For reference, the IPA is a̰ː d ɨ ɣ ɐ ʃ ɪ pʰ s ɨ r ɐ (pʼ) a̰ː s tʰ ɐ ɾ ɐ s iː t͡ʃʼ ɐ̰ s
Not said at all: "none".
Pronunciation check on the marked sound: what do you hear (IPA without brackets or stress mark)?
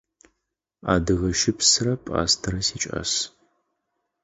pʼ